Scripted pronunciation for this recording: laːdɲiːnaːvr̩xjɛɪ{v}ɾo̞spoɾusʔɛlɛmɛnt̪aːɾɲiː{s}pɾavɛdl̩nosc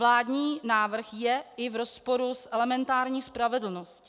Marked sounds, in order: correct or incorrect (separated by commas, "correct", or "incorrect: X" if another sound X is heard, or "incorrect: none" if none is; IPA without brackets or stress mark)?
correct, correct